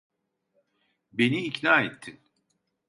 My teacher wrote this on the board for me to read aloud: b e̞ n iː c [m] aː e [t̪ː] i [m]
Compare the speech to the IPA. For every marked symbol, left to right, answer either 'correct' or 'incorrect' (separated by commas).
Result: incorrect, incorrect, incorrect